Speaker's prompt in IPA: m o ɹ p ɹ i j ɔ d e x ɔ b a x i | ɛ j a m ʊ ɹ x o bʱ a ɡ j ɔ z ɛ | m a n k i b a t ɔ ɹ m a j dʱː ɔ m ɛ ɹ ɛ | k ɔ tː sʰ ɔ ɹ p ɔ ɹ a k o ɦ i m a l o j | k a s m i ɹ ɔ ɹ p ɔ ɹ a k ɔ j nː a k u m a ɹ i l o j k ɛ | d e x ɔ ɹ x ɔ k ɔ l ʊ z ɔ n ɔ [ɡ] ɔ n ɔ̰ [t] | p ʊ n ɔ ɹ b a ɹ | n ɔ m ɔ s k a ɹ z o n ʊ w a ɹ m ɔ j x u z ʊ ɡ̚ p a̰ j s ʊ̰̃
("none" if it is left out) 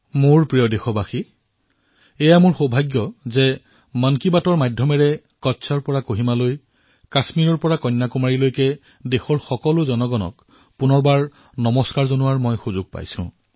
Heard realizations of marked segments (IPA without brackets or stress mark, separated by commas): ɡ, k